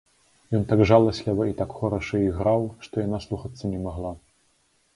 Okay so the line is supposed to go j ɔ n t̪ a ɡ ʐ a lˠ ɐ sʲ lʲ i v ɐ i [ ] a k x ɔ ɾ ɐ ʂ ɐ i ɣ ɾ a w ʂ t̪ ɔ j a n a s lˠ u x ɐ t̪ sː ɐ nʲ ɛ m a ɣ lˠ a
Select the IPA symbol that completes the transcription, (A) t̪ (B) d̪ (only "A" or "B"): A